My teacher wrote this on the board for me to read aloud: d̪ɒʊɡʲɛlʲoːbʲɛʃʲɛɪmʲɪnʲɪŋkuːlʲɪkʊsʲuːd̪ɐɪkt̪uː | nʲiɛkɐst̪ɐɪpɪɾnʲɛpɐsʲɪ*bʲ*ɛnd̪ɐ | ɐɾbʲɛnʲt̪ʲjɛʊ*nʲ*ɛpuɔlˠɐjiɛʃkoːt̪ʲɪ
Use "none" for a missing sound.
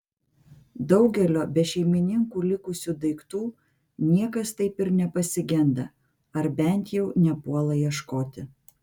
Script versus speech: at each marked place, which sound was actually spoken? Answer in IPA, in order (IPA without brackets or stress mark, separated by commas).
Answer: ɡʲ, nʲ